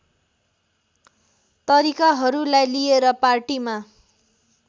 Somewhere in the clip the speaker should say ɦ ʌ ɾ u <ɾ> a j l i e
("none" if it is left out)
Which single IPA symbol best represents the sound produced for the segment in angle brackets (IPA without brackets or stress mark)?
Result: l